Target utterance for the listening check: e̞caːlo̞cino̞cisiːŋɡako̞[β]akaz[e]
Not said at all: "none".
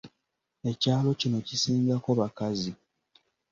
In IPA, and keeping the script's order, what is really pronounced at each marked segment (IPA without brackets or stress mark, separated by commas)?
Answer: β, i